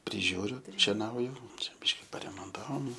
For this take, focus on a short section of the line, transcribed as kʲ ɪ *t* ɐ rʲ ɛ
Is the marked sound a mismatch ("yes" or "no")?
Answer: yes